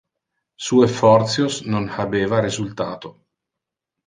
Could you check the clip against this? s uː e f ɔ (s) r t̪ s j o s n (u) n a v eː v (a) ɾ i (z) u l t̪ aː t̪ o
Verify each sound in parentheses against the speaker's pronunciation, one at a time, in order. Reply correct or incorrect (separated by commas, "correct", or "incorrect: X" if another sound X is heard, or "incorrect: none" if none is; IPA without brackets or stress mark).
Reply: incorrect: none, incorrect: o, correct, correct